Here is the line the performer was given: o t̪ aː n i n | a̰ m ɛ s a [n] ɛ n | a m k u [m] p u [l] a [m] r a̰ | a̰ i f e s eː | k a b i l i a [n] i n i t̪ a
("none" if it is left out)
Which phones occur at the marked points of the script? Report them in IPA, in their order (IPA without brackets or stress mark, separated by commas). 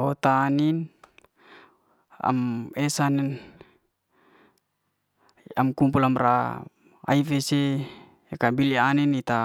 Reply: n, m, l, m, n